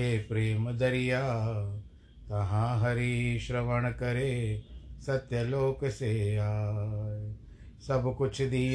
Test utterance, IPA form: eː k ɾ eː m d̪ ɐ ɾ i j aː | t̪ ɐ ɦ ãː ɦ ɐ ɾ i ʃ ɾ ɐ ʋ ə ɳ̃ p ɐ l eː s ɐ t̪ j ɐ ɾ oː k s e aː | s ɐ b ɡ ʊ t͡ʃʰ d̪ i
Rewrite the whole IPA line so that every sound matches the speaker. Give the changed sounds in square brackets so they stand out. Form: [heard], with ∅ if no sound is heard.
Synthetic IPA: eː [p] ɾ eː m d̪ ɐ ɾ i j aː | t̪ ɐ ɦ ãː ɦ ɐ ɾ i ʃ ɾ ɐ ʋ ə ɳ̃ [k] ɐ [ɾ] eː s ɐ t̪ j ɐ [l] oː k s e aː | s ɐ b [k] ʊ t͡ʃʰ d̪ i